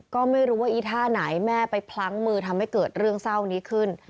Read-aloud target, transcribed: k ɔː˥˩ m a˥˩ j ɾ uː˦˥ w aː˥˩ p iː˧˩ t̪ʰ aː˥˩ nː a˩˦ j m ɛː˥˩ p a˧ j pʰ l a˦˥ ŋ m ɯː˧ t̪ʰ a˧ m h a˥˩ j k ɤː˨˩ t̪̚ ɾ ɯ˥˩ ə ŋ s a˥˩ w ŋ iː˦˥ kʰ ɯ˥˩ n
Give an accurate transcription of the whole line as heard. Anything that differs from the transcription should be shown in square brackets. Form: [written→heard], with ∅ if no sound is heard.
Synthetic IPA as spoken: k ɔː˥˩ m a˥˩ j ɾ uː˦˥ w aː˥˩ [p→ʔ] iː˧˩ t̪ʰ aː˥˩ [nː→n] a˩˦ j m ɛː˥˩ p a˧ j pʰ l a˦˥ ŋ m ɯː˧ t̪ʰ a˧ m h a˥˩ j k ɤː˨˩ t̪̚ ɾ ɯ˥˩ ə ŋ s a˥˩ w [ŋ→n] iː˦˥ kʰ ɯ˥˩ n